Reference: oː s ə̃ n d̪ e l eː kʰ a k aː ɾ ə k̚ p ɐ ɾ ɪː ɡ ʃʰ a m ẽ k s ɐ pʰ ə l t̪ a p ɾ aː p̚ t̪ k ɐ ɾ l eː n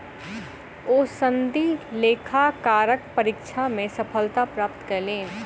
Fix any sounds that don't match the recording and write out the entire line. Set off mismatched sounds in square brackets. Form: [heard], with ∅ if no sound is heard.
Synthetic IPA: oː s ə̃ n d̪ [i] l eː kʰ a k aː ɾ ə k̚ p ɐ ɾ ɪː [k] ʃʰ a m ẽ [∅] s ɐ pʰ ə l t̪ a p ɾ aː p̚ t̪ k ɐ ɾ l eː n